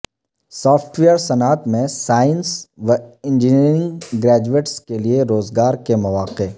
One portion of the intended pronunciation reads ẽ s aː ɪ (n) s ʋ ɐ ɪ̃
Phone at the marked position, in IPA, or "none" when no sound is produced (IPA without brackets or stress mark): n